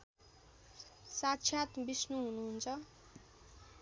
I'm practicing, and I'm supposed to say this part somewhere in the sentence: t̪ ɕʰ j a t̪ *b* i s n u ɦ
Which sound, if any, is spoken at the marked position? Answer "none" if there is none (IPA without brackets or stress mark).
b